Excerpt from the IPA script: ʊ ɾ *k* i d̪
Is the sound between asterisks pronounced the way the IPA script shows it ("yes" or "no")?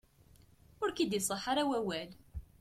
yes